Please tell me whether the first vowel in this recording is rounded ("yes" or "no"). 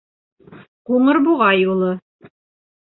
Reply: yes